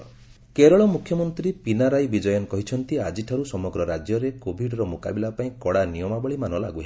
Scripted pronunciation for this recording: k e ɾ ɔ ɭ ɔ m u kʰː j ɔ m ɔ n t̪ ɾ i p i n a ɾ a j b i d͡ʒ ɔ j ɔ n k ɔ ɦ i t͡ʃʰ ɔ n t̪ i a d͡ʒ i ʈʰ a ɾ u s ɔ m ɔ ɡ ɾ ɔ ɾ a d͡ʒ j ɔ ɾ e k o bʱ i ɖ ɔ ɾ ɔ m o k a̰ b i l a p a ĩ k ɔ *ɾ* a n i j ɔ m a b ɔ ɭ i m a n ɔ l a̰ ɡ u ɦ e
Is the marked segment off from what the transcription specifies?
yes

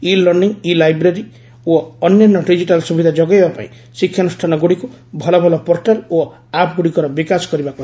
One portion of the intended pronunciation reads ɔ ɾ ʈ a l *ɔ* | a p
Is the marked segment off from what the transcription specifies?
yes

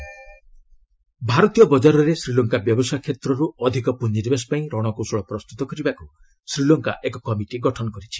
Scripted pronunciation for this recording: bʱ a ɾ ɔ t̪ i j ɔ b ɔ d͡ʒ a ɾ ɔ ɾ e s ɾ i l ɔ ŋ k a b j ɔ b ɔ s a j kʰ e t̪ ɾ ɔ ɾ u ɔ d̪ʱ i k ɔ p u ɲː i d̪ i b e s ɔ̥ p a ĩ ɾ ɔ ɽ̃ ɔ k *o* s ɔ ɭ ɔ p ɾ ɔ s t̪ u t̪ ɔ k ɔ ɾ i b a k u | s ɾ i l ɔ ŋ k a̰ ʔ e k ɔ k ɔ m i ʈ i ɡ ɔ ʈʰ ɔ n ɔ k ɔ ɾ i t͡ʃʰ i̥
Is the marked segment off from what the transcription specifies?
yes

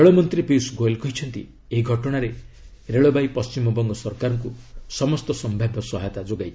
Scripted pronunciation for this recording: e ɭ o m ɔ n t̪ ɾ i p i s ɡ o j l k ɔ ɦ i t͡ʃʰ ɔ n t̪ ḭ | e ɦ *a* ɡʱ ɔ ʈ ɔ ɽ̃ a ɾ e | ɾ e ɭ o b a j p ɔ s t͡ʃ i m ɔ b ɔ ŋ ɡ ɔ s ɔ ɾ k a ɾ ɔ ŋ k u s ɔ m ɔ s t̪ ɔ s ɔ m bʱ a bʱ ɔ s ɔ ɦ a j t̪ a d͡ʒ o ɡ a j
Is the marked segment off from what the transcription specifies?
yes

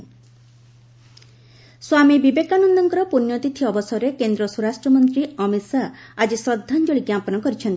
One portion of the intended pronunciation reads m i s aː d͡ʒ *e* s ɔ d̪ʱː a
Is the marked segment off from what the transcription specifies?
yes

